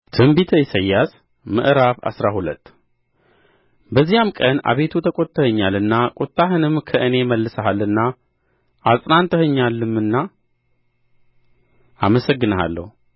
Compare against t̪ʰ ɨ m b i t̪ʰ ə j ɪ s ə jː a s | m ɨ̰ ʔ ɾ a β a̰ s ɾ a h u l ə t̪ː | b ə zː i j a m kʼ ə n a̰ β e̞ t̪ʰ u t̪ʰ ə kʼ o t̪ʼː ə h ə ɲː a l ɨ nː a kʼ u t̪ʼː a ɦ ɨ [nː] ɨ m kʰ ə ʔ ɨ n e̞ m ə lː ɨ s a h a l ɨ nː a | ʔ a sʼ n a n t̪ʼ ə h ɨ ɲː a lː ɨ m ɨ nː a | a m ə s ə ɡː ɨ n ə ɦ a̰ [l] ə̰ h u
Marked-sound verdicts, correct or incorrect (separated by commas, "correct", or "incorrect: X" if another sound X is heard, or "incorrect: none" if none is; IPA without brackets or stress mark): incorrect: n, incorrect: lː